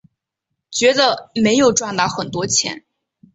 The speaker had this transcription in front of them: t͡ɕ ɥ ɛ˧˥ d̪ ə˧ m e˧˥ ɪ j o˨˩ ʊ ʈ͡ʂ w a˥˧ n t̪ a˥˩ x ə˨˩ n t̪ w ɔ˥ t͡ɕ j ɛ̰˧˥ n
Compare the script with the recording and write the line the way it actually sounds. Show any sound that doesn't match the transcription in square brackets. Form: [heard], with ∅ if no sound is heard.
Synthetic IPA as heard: t͡ɕ ɥ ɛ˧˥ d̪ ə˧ m e˧˥ ɪ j o˨˩ ʊ ʈ͡ʂ w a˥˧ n t̪ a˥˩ x ə˨˩ n t̪ w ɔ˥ [t͡ɕʰ] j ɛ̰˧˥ n